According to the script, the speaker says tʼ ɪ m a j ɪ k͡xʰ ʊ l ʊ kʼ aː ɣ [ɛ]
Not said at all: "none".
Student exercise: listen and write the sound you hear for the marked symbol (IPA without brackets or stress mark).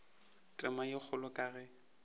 ɛ